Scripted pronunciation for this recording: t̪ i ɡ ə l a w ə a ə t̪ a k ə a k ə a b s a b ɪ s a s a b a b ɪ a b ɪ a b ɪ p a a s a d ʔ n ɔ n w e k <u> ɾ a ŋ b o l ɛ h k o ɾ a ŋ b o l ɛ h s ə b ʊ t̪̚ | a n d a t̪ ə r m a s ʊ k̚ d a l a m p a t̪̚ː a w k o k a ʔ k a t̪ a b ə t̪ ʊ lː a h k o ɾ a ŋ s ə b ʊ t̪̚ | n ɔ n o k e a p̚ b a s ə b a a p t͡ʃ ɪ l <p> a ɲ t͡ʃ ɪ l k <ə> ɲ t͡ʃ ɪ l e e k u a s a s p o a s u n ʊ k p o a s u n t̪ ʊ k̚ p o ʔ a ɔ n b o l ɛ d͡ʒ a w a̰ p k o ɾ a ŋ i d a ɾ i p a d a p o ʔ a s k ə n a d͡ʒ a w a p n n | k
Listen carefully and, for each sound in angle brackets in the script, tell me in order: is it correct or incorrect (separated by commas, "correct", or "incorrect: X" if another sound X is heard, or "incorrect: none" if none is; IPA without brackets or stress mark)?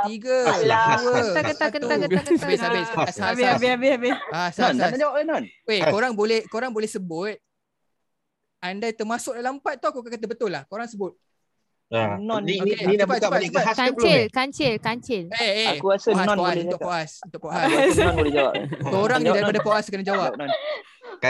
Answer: incorrect: o, incorrect: k, incorrect: a